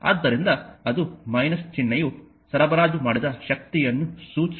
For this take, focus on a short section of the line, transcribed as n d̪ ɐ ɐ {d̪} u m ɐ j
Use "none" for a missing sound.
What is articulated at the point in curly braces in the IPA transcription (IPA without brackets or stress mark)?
d̪